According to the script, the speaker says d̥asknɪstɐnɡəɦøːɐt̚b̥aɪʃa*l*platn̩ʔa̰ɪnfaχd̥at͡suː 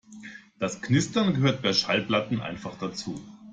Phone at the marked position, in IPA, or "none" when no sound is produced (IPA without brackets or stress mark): l